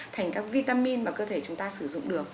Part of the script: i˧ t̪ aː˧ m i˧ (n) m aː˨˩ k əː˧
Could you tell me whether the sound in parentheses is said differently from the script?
no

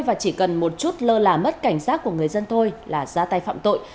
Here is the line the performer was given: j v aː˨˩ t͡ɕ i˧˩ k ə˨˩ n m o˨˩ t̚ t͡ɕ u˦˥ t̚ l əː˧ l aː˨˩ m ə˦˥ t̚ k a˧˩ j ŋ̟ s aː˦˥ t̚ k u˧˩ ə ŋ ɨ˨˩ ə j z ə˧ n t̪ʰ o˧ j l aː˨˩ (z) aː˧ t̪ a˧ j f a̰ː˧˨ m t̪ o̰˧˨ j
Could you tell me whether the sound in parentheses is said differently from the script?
no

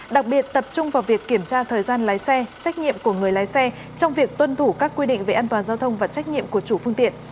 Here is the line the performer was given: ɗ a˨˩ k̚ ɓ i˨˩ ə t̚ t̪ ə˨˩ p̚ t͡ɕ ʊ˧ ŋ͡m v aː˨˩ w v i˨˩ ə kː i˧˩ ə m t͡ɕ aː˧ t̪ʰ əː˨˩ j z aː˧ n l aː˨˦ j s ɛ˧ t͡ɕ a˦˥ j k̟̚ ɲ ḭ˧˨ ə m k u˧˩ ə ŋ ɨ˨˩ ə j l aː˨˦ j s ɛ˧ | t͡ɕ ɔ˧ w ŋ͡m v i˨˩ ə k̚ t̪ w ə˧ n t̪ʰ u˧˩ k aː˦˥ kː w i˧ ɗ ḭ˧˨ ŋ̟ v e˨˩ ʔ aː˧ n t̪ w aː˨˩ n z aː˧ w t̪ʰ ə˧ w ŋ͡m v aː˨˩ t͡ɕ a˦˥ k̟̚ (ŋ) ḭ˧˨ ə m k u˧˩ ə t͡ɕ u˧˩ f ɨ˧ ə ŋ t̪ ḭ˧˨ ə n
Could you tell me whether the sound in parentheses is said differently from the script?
yes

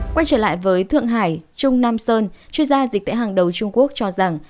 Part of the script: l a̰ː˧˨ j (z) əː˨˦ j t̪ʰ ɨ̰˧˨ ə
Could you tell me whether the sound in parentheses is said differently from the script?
yes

